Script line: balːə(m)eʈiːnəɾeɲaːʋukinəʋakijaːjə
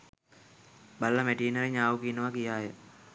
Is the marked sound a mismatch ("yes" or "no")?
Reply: no